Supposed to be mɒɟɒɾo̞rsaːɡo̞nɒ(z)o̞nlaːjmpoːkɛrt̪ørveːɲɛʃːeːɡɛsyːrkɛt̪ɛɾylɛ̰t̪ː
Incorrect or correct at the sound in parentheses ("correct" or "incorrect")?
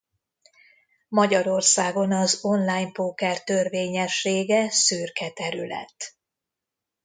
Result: correct